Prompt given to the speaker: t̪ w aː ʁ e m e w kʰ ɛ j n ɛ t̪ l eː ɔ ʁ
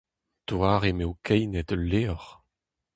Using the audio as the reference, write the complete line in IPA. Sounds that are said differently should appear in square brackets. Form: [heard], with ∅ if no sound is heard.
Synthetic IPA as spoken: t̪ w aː ʁ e m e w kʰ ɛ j n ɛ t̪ l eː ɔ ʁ